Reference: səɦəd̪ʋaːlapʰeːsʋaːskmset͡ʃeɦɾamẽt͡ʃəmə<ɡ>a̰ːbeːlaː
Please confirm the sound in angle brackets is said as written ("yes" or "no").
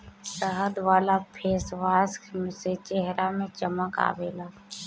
no